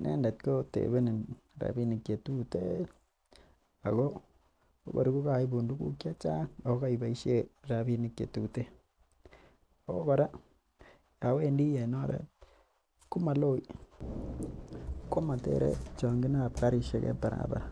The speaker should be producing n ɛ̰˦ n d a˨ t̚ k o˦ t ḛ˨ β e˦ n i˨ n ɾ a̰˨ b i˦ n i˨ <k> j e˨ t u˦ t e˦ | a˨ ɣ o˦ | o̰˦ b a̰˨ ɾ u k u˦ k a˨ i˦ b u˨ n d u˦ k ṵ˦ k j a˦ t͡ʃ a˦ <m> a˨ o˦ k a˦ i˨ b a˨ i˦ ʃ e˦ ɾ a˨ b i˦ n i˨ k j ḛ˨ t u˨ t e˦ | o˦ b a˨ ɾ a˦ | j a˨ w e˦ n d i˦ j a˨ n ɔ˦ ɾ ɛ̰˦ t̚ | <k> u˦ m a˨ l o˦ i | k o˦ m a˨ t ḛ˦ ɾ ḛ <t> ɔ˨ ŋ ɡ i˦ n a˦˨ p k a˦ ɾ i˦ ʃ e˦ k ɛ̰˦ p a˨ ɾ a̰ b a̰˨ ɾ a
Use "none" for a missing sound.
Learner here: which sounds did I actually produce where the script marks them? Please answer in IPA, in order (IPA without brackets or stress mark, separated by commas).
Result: k, ŋ, k, t͡ʃ